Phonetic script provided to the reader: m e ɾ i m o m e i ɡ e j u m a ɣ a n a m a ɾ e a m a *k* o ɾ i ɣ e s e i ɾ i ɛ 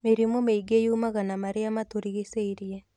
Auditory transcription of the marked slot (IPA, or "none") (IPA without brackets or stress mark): t